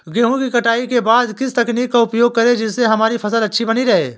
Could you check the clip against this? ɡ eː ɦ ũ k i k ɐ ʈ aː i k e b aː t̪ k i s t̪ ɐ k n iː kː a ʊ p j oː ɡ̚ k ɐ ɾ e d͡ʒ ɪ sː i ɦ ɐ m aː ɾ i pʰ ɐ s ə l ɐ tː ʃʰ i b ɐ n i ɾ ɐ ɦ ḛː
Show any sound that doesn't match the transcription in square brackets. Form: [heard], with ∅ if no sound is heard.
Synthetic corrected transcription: ɡ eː ɦ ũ k i k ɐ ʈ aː i k e b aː [d̪] k [ɪ] s t̪ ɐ k n iː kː a ʊ p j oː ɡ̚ k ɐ ɾ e d͡ʒ ɪ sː [e] ɦ ɐ m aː ɾ i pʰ ɐ s ə l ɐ tː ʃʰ i b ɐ n i ɾ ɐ ɦ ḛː